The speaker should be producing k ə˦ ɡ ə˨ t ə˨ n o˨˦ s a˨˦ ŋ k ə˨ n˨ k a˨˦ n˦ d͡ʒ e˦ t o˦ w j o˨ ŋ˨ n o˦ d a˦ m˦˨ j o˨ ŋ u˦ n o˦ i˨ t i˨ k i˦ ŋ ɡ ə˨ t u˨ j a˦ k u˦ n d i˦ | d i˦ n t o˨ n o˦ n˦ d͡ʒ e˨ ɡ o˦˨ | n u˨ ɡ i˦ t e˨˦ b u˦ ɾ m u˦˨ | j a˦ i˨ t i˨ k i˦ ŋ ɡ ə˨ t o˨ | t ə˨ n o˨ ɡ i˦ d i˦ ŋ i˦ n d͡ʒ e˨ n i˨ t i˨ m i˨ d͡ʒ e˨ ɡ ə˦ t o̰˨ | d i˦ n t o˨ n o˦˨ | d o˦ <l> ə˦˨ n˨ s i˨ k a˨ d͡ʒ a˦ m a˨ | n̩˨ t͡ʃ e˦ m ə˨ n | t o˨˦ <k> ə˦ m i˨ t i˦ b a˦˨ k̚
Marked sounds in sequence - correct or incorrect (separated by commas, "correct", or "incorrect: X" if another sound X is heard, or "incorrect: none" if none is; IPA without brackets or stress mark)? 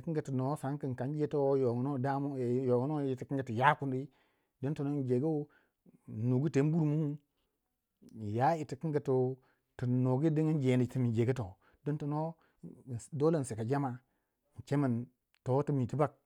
correct, incorrect: t